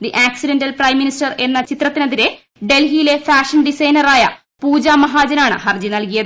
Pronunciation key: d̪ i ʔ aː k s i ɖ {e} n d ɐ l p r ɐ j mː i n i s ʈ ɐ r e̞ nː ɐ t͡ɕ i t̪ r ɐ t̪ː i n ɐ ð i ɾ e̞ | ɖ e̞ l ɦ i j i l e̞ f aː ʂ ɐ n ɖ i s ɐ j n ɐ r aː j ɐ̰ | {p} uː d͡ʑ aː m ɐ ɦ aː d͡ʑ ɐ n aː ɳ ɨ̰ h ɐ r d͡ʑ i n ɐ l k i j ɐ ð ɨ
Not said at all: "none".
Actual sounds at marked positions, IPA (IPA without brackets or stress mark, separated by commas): e, p